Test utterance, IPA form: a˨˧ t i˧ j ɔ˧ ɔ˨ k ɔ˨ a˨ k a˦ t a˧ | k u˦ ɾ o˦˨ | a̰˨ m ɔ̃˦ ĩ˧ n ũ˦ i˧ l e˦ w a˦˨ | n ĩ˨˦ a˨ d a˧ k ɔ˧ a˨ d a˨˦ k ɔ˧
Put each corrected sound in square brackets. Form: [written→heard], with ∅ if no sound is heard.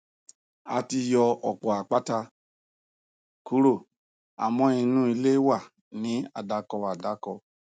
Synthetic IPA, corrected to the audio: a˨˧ t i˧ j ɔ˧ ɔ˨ [k→k͡p] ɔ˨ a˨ [k→k͡p] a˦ t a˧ | k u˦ ɾ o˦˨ | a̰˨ m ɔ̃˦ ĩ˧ n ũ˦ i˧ l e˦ w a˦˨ | n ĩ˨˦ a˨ d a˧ k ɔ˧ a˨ d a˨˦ k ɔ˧